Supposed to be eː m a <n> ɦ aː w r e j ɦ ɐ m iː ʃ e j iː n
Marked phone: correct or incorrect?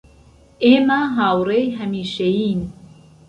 incorrect